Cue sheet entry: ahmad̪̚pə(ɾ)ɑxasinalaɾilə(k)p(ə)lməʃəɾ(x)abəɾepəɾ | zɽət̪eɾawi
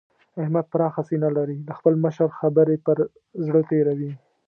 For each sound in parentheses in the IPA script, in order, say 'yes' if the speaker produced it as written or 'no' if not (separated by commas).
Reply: yes, no, yes, yes